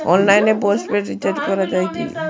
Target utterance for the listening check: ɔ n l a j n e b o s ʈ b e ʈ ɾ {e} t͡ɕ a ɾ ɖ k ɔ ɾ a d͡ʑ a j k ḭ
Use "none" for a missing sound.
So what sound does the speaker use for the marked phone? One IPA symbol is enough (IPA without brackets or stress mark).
i